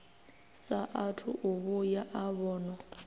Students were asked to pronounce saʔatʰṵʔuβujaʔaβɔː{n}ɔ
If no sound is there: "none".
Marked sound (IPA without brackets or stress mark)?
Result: n